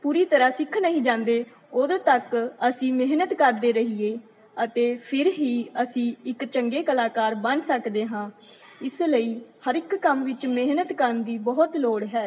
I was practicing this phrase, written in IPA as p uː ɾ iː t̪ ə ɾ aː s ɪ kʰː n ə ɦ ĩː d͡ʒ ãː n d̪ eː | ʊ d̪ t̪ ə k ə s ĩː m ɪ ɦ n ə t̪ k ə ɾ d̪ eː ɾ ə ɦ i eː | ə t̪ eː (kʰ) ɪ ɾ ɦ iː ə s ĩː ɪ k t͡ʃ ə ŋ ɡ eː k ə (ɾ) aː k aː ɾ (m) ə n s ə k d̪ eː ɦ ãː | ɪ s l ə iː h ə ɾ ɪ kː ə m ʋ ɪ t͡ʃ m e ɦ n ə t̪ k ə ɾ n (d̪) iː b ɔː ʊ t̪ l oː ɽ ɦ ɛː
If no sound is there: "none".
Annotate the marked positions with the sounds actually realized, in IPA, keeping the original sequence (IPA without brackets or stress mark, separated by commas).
pʰ, l, b, d̪